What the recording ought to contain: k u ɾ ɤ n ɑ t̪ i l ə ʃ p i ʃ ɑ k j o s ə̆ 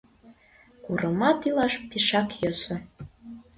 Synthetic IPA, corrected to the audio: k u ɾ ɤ m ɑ t̪ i l ɑ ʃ p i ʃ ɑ k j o s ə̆